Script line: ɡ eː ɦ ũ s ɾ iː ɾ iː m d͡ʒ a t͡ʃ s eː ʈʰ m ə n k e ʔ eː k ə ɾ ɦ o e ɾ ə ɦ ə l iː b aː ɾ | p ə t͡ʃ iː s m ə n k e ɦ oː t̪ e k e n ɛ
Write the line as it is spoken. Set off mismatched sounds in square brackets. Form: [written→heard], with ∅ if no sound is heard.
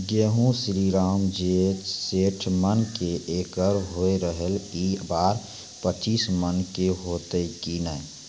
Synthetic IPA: ɡ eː ɦ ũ s ɾ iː ɾ [iː→aː] m d͡ʒ [a→e] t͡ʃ s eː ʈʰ m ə n k e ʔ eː k ə ɾ ɦ o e ɾ ə ɦ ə l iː b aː ɾ | p ə t͡ʃ iː s m ə n k e ɦ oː t̪ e k [e→i] n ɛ